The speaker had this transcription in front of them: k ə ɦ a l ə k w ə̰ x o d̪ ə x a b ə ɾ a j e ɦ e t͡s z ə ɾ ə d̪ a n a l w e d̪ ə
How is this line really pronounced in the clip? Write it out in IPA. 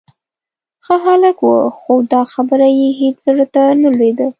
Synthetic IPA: x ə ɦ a l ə k w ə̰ x o d̪ ɑ x a b ə ɾ a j e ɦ e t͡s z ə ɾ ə t̪ a n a l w e d̪ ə